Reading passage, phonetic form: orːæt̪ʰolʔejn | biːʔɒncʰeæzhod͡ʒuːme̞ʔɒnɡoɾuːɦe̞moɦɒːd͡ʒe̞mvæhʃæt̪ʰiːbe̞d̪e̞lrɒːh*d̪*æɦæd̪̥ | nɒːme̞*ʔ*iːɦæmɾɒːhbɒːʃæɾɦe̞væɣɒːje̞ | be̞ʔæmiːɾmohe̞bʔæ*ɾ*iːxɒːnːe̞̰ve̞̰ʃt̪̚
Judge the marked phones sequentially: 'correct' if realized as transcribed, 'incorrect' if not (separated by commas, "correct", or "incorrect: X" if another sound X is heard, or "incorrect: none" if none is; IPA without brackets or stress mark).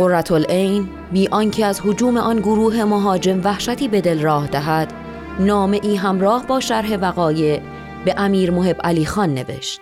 correct, correct, incorrect: l